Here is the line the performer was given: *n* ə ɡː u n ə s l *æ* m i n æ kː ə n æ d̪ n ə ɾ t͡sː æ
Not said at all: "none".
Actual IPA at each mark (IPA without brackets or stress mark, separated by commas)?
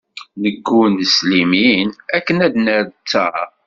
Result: n, i